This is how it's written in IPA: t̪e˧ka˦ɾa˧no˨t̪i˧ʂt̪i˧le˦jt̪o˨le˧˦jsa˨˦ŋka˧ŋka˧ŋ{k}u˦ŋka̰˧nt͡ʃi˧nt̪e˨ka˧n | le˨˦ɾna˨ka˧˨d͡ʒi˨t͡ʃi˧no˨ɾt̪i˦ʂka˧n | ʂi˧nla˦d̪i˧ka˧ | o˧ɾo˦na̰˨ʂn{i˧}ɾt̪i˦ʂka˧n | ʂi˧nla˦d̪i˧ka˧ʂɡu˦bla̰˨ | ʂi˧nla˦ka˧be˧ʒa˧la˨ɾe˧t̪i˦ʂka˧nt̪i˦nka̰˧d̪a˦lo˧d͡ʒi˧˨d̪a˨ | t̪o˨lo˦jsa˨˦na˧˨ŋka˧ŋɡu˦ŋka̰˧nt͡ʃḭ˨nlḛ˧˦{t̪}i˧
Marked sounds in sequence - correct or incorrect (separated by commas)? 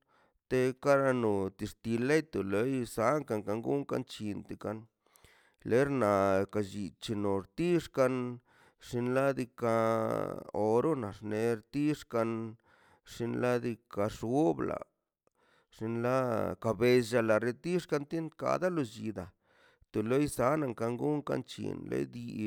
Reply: incorrect, incorrect, incorrect